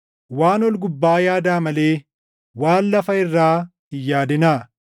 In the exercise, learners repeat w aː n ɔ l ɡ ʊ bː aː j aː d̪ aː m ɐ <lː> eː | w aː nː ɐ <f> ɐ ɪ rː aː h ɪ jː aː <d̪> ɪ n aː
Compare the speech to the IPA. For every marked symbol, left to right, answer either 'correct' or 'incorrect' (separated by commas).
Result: incorrect, correct, correct